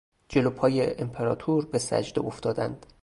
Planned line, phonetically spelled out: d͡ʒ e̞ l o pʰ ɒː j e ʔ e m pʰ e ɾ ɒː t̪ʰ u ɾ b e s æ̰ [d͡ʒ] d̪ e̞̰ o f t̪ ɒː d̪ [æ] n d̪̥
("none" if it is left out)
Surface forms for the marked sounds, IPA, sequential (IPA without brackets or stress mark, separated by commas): d͡ʒ, æ